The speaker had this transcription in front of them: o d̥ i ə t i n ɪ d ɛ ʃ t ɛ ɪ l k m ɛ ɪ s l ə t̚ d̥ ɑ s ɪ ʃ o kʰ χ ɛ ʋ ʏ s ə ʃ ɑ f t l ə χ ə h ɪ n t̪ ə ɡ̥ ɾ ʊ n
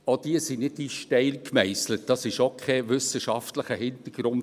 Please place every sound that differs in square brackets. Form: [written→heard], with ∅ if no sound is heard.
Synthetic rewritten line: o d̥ i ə [t→s] i n ɪ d [ɛ→i] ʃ t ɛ ɪ l k m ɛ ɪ s l ə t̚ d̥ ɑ s ɪ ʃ o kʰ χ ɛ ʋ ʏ s ə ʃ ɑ f t l ə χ ə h ɪ n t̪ ə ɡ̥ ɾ ʊ n